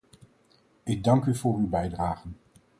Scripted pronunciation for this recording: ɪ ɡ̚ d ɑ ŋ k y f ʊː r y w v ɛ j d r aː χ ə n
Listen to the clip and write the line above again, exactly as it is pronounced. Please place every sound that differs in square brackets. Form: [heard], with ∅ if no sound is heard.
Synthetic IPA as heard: ɪ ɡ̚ d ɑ ŋ k y [v] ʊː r y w [b] ɛ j d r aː χ ə n